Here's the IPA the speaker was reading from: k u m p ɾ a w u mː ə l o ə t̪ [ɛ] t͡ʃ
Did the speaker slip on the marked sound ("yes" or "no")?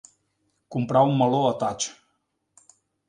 yes